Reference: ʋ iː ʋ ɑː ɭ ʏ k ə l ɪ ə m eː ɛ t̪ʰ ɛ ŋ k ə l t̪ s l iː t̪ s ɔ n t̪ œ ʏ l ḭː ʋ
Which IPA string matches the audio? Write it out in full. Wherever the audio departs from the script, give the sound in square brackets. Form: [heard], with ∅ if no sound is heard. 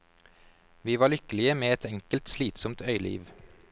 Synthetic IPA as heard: ʋ iː ʋ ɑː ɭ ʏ k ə l ɪ ə m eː ɛ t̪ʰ ɛ ŋ k ə l t̪ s l iː t̪ s ɔ [m] t̪ œ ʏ l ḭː ʋ